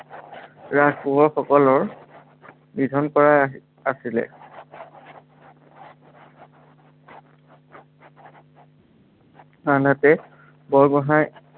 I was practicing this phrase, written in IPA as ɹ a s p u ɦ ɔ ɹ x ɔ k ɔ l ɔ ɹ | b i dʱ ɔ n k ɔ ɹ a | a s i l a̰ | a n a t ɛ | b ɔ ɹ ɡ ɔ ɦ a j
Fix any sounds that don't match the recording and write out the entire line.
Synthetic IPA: ɹ a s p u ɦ ɔ ɹ x ɔ k ɔ l ɔ ɹ | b i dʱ ɔ n k ɔ ɹ a | a s i l ɛ̰ | a n a t ɛ | b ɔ ɹ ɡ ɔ ɦ a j